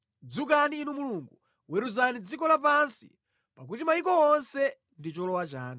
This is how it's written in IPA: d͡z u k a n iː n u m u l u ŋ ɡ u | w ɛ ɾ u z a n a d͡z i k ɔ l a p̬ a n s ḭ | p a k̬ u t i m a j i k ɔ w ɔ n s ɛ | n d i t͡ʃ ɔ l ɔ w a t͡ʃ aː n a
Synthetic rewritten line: d͡z u k a n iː n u m u l u ŋ ɡ u | w ɛ ɾ u z a n i d͡z i k ɔ l a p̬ a n s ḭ | p a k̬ u t i m a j i k ɔ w ɔ n s ɛ | n d i t͡ʃ ɔ l ɔ w a t͡ʃ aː n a